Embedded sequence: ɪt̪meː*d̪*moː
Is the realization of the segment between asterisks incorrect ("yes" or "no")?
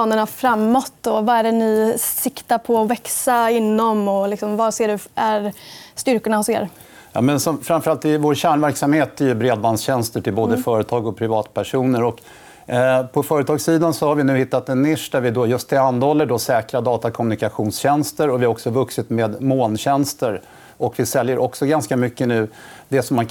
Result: no